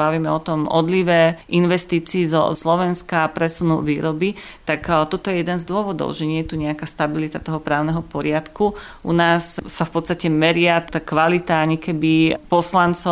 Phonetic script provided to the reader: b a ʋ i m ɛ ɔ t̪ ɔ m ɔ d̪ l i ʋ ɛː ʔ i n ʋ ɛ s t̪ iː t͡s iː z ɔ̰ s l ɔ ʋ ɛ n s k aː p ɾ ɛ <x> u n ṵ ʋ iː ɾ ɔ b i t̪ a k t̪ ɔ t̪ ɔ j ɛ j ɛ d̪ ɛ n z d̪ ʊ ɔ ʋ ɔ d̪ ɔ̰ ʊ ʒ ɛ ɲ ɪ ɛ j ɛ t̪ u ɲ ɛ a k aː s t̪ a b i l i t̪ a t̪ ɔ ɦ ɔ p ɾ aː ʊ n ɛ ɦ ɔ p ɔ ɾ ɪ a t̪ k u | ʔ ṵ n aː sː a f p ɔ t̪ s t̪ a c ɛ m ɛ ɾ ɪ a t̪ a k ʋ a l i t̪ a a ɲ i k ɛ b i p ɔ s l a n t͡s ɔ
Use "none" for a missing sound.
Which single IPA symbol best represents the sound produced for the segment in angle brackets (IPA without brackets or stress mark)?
s